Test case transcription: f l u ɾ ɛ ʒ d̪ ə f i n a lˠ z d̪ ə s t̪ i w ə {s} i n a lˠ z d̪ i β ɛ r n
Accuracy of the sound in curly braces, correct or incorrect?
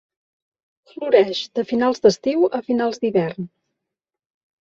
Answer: incorrect